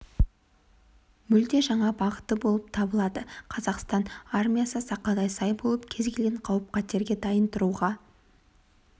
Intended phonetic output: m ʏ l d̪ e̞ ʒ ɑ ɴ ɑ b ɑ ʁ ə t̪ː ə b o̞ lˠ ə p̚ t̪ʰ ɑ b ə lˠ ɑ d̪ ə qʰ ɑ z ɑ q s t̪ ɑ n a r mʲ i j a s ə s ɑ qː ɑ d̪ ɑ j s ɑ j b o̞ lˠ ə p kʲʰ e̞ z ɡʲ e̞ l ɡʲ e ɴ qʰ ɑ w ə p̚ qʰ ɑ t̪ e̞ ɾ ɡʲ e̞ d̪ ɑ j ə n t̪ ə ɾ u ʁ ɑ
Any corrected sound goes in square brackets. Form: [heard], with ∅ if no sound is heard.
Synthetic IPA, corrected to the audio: m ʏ l d̪ e̞ ʒ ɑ ɴ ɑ b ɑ ʁ ə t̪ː ə b o̞ lˠ ə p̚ t̪ʰ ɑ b ə lˠ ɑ d̪ ə qʰ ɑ z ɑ q s t̪ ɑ n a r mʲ i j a s ə s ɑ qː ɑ d̪ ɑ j s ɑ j b o̞ lˠ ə p kʲʰ e̞ z ɡʲ e̞ l ɡʲ e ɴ qʰ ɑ w ə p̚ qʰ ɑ t̪ e̞ ɾ ɡʲ e̞ d̪ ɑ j ə n t̪ ə ɾ u ʁ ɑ